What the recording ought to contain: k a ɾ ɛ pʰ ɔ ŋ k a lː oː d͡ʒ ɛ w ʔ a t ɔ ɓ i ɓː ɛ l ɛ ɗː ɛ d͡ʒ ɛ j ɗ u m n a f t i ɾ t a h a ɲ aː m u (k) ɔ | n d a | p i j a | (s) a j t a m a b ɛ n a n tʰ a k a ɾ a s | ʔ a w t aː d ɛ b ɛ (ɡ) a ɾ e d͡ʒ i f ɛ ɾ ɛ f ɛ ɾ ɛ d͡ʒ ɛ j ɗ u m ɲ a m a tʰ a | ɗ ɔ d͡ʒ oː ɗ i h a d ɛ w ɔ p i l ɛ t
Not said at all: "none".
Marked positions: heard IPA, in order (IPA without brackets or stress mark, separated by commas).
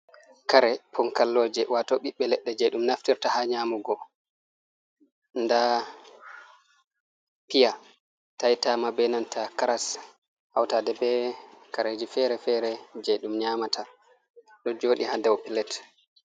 ɡ, t, k